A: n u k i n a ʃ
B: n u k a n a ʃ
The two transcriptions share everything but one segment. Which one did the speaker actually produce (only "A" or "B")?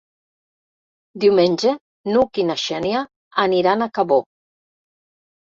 A